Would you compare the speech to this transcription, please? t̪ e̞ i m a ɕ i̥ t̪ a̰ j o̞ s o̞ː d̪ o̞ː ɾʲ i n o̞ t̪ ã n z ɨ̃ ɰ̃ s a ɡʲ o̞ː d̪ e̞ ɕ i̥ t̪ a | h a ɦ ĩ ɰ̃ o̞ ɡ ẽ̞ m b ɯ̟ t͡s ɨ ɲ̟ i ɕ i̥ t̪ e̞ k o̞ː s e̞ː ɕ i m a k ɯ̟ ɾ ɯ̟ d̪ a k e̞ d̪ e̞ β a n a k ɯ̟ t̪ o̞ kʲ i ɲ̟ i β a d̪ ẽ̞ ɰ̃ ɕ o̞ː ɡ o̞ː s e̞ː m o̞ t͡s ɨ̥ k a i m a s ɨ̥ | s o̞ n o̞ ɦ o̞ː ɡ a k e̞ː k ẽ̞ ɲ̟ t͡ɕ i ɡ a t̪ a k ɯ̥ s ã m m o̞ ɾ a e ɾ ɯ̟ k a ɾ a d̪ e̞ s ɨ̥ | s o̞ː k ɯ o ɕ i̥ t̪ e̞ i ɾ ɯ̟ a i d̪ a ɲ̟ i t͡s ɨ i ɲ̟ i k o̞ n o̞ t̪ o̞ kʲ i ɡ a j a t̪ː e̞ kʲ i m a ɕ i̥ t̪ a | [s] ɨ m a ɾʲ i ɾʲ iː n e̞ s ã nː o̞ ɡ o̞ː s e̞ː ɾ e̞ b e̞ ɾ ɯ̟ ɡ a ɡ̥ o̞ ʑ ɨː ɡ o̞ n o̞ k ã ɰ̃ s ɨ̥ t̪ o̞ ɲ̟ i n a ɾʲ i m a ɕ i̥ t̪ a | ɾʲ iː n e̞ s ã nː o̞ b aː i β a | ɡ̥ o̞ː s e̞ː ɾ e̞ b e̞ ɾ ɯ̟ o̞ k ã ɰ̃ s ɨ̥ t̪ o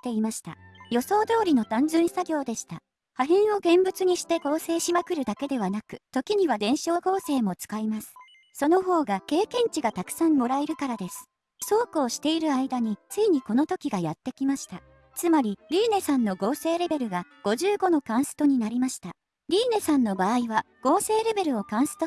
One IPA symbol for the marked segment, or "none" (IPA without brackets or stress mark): t͡s